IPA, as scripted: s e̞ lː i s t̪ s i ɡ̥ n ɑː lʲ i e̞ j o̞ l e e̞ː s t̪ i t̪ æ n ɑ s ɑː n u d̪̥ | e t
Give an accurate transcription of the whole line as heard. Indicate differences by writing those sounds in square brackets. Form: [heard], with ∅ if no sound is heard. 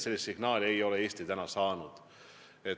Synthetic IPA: s e̞ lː i s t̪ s i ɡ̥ n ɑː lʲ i e̞ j o̞ l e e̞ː s t̪ i t̪ æ n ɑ s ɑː n u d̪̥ | e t